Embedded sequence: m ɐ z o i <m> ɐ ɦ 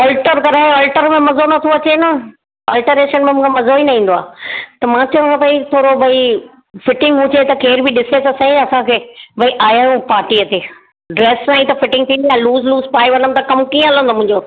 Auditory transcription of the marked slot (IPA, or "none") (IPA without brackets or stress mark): n